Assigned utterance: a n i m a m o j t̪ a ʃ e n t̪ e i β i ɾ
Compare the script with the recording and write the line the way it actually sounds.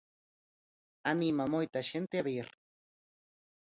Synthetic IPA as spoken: a n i m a m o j t̪ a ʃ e n t̪ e a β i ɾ